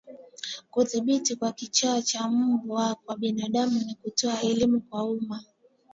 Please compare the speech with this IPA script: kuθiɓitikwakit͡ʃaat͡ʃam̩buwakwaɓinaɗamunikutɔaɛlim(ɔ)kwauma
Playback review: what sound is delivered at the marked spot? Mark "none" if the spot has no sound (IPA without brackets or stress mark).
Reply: u